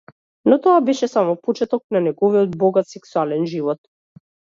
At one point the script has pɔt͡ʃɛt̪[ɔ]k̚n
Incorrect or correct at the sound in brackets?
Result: correct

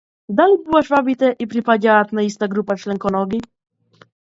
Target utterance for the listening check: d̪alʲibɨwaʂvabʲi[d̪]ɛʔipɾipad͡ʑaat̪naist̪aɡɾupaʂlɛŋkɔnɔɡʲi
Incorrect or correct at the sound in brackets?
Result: incorrect: t̪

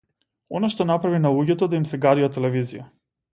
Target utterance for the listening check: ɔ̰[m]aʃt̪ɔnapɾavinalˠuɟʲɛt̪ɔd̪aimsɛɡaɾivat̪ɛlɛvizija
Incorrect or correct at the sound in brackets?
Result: incorrect: n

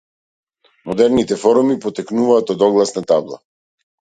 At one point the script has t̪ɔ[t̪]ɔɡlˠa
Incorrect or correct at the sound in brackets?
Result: incorrect: d̪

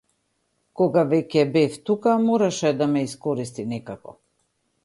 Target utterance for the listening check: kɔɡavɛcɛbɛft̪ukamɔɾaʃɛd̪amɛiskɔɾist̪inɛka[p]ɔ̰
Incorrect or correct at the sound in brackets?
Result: incorrect: k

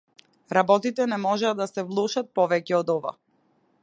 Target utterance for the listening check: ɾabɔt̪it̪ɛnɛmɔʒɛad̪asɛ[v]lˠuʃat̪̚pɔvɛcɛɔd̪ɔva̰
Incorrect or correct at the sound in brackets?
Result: correct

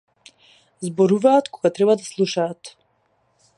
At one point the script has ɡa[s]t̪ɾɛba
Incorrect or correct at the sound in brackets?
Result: incorrect: none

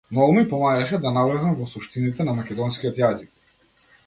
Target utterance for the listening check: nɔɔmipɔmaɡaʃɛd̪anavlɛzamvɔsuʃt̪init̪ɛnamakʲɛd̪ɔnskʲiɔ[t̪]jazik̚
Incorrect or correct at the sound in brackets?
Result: correct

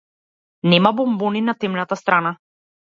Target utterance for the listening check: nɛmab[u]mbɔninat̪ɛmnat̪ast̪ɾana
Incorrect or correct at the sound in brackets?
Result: incorrect: ɔ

